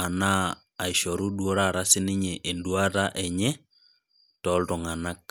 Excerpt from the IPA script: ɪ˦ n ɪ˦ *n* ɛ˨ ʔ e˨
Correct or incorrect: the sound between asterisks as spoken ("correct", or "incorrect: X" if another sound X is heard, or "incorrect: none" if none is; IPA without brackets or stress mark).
incorrect: ɲ